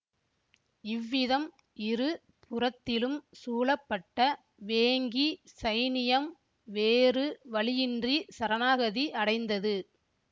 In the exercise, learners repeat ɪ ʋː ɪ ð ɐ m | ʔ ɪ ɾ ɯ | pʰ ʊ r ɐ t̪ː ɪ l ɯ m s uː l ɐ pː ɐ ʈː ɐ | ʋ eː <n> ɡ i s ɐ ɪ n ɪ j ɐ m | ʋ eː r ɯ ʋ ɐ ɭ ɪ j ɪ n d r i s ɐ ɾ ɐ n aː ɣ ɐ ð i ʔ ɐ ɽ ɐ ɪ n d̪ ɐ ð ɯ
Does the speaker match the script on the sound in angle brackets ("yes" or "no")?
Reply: no